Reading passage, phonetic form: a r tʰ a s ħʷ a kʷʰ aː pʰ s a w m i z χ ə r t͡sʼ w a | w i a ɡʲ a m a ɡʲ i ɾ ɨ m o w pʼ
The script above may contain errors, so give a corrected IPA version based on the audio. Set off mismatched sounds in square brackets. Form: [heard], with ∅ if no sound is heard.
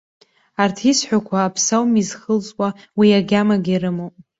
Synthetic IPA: a r tʰ [i] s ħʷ a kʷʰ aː pʰ s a w m i z χ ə [l] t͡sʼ w a | w i a ɡʲ a m a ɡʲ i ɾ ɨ m o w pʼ